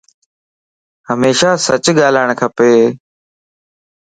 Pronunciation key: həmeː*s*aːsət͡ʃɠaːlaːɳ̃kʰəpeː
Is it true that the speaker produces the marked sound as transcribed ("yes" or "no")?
no